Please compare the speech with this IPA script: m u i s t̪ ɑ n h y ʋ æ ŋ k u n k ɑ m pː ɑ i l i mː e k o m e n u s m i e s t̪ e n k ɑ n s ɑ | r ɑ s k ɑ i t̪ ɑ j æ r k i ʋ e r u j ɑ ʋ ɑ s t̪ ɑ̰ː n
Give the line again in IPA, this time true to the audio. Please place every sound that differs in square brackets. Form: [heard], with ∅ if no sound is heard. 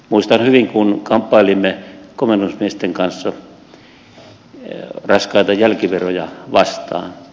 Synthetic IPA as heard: m u i s t̪ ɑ n h y ʋ [i] ŋ k u n k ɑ m pː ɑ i l i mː e k o m e n u s m i e s t̪ e [ŋ] k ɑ n [sː] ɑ | r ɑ s k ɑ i t̪ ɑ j æ [l] k i ʋ e r [o] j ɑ ʋ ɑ s t̪ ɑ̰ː n